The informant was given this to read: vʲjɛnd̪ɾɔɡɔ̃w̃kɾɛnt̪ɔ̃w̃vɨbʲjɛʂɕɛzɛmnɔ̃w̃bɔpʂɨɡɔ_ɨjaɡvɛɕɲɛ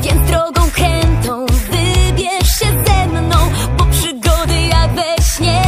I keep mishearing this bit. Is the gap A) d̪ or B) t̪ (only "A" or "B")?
A